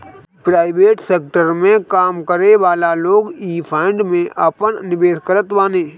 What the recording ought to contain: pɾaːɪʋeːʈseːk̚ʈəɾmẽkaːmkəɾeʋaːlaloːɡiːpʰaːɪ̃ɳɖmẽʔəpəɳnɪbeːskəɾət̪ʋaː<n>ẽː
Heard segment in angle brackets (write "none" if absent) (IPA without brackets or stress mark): n